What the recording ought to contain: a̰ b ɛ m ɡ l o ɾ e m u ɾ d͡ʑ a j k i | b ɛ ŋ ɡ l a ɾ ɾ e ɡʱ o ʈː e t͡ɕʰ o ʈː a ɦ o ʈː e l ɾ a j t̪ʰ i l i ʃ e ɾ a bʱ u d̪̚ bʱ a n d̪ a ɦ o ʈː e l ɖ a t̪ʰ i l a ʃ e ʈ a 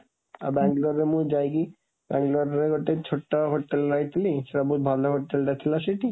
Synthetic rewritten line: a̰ b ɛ ŋ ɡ l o ɾ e m u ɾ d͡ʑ a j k i | b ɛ ŋ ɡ l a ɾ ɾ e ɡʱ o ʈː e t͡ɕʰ o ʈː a ɦ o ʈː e l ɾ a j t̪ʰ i l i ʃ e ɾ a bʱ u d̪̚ bʱ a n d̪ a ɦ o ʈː e l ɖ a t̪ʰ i l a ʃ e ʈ i